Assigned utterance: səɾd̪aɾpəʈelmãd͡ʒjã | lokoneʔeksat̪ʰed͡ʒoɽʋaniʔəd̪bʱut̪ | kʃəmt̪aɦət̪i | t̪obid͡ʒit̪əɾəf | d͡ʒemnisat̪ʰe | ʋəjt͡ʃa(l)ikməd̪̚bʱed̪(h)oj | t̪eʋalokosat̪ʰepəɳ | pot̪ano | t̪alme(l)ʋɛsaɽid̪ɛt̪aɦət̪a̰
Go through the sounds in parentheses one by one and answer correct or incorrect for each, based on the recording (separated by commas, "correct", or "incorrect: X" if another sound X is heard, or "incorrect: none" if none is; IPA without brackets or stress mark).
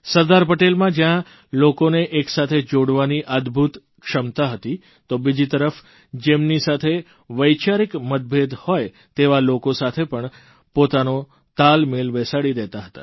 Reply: incorrect: ɾ, correct, correct